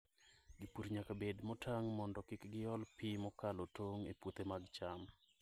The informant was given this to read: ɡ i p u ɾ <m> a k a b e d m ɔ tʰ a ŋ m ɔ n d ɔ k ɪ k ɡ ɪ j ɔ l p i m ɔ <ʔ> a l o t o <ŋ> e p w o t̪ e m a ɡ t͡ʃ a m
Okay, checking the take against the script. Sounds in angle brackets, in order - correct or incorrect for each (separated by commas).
incorrect, incorrect, correct